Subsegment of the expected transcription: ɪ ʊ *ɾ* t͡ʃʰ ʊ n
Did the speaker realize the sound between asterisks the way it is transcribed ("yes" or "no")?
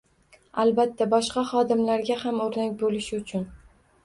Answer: no